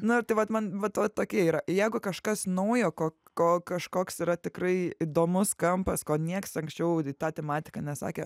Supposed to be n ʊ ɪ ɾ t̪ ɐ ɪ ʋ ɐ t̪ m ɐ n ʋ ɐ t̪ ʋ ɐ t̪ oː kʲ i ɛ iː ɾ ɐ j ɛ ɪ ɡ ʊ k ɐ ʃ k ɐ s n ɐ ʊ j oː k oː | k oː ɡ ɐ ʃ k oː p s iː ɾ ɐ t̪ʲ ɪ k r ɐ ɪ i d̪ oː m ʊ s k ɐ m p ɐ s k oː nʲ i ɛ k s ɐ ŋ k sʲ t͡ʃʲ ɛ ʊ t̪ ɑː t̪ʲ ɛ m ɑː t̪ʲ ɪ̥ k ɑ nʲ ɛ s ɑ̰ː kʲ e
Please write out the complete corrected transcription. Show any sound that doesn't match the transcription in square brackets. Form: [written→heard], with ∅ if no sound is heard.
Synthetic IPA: n ʊ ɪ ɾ t̪ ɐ ɪ ʋ ɐ t̪ m ɐ n ʋ ɐ t̪ ʋ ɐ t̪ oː kʲ i ɛ iː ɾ ɐ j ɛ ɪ ɡ ʊ k ɐ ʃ k ɐ s n ɐ ʊ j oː k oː | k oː [ɡ→k] ɐ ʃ k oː [p→k] s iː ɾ ɐ t̪ʲ ɪ k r ɐ ɪ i d̪ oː m ʊ s k ɐ m p ɐ s k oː nʲ i ɛ k s ɐ ŋ k sʲ t͡ʃʲ ɛ ʊ t̪ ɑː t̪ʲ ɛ m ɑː t̪ʲ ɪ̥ k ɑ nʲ ɛ s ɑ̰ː kʲ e

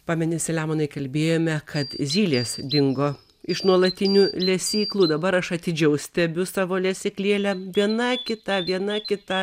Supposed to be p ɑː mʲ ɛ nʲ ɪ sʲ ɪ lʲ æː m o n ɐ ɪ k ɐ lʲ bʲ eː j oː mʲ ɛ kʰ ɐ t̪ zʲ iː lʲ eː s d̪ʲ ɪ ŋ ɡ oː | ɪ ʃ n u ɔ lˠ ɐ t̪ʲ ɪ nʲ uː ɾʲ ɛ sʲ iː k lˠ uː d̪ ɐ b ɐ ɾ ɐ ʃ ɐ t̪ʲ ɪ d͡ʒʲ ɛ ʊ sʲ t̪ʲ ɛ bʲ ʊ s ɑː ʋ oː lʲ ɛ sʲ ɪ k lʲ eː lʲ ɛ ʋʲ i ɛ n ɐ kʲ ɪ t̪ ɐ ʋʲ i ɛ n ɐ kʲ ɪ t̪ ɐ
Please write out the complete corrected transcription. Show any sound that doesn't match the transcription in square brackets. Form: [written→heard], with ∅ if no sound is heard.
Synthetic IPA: p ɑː mʲ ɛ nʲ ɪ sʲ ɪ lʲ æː m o n ɐ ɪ k ɐ lʲ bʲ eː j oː mʲ ɛ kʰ ɐ t̪ zʲ iː lʲ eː s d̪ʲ ɪ ŋ ɡ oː | ɪ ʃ n u ɔ lˠ ɐ t̪ʲ ɪ nʲ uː [ɾʲ→lʲ] ɛ sʲ iː k lˠ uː d̪ ɐ b ɐ ɾ ɐ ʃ ɐ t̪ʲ ɪ d͡ʒʲ ɛ ʊ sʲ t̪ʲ ɛ bʲ ʊ s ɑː ʋ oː lʲ ɛ sʲ ɪ k lʲ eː lʲ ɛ ʋʲ i ɛ n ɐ kʲ ɪ t̪ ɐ ʋʲ i ɛ n ɐ kʲ ɪ t̪ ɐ

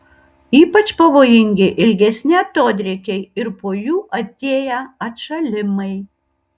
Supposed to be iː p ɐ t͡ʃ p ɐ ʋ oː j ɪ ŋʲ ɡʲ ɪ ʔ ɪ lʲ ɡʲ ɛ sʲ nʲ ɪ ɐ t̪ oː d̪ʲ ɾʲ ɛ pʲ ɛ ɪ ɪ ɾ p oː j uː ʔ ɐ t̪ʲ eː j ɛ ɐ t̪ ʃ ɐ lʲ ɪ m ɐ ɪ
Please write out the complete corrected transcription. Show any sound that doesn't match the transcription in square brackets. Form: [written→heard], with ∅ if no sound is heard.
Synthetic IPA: iː p ɐ t͡ʃ p ɐ ʋ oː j ɪ ŋʲ ɡʲ ɪ ʔ ɪ lʲ ɡʲ ɛ sʲ nʲ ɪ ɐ t̪ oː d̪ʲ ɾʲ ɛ [pʲ→kʲ] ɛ ɪ ɪ ɾ p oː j uː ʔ ɐ t̪ʲ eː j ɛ ɐ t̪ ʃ ɐ lʲ ɪ m ɐ ɪ

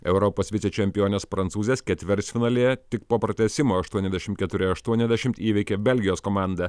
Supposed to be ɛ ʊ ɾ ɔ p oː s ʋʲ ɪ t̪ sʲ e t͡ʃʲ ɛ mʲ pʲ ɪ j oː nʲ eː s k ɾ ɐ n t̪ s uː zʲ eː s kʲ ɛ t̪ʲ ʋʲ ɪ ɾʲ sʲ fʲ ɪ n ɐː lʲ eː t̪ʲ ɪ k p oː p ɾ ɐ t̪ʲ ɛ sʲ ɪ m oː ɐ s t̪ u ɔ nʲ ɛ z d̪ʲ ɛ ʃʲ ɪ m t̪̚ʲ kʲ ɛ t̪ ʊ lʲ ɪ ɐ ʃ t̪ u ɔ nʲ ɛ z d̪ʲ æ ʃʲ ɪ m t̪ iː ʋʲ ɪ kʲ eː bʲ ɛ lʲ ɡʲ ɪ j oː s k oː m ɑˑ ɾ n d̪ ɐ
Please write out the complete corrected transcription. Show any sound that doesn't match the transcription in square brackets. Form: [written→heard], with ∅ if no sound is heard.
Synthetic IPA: ɛ ʊ ɾ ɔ p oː s ʋʲ ɪ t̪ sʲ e t͡ʃʲ ɛ mʲ pʲ ɪ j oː nʲ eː s [k→p] ɾ ɐ n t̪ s uː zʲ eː s kʲ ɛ t̪ʲ ʋʲ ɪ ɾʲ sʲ fʲ ɪ n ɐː lʲ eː t̪ʲ ɪ k p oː p ɾ ɐ t̪ʲ ɛ sʲ ɪ m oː ɐ [s→ʃ] t̪ u ɔ nʲ ɛ z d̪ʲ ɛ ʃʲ ɪ m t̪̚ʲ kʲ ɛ t̪ ʊ [lʲ→ɾʲ] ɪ ɐ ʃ t̪ u ɔ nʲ ɛ z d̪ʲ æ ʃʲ ɪ m t̪ iː ʋʲ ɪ kʲ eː bʲ ɛ lʲ ɡʲ ɪ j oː s k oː m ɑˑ [ɾ→∅] n d̪ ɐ

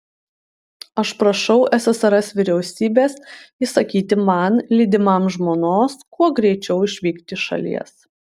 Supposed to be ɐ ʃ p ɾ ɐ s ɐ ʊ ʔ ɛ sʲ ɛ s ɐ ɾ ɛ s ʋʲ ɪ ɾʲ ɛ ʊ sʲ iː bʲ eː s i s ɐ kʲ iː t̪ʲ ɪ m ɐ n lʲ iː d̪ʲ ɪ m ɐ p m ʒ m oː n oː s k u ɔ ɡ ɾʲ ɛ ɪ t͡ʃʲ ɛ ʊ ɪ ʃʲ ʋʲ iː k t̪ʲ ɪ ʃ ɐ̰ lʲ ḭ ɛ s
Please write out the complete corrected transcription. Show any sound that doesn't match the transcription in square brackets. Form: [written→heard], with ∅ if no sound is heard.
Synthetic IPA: ɐ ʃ p ɾ ɐ [s→ʃ] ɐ ʊ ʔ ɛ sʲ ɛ s ɐ ɾ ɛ s ʋʲ ɪ ɾʲ ɛ ʊ sʲ iː bʲ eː s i s ɐ kʲ iː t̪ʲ ɪ m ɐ n lʲ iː d̪ʲ ɪ m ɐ [p→∅] m ʒ m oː n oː s k u ɔ ɡ ɾʲ ɛ ɪ t͡ʃʲ ɛ ʊ ɪ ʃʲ ʋʲ iː k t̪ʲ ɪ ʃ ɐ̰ lʲ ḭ ɛ s

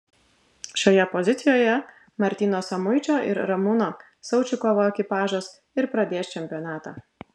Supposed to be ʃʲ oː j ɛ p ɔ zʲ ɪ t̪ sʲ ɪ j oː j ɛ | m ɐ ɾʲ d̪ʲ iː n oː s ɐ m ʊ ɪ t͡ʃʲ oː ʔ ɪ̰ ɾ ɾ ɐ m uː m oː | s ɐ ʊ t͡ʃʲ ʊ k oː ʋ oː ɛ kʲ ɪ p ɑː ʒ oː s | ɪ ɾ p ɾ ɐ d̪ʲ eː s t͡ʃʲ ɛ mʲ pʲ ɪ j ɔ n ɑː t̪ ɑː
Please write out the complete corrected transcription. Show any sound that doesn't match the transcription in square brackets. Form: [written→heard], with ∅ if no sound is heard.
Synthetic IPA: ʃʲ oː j ɛ p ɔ zʲ ɪ t̪ sʲ ɪ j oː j ɛ | m ɐ ɾʲ [d̪ʲ→t̪ʲ] iː n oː s ɐ m ʊ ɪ t͡ʃʲ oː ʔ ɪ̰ ɾ ɾ ɐ m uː [m→n] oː | s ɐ ʊ t͡ʃʲ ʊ k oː ʋ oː ɛ kʲ ɪ p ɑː ʒ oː s | ɪ ɾ p ɾ ɐ d̪ʲ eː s t͡ʃʲ ɛ mʲ pʲ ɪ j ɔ n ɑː t̪ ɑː

